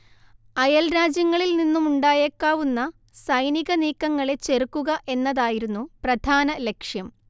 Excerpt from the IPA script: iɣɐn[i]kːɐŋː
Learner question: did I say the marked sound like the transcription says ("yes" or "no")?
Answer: no